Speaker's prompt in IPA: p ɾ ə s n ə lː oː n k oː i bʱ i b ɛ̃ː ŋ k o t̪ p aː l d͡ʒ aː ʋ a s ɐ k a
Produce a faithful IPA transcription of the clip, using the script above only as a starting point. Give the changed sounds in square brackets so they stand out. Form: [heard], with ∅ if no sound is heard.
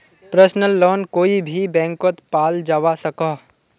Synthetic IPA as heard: p ɾ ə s n ə lː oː n k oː i bʱ i b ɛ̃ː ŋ k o t̪ p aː l d͡ʒ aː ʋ a s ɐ k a